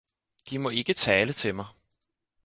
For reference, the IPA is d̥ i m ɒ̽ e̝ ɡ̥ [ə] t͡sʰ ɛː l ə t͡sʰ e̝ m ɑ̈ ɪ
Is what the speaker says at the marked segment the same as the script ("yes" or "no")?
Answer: yes